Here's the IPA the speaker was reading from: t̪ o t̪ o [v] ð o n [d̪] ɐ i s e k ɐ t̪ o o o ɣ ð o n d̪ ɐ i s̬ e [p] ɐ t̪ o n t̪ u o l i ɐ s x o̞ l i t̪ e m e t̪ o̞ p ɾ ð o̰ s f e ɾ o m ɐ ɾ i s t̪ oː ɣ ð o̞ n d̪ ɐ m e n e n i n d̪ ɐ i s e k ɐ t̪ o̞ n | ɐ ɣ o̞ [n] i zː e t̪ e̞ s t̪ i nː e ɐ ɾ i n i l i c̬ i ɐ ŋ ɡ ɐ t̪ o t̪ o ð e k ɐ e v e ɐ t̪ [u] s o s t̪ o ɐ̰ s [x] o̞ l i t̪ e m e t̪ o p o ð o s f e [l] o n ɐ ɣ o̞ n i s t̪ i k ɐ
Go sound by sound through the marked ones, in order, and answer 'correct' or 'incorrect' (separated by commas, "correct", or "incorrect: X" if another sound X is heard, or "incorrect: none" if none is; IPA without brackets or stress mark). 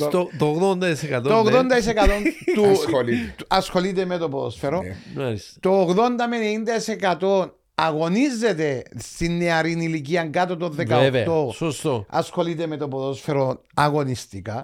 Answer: incorrect: ɣ, correct, incorrect: k, correct, incorrect: o, correct, incorrect: ɾ